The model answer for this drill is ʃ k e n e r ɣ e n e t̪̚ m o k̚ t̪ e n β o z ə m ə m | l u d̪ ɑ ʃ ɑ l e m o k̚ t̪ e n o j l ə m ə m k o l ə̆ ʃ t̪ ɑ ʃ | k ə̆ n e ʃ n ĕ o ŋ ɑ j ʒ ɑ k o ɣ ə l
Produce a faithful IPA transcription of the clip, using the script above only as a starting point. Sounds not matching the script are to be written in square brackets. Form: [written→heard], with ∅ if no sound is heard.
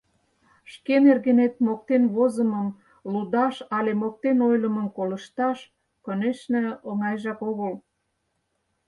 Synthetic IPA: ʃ k e n e r ɣ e n e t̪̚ m o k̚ t̪ e n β o z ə m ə m | l u d̪ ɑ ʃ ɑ l e m o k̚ t̪ e n o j l ə m ə m k o l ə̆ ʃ t̪ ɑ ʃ | k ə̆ n e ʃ n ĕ o ŋ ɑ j ʒ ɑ k o ɣ ə l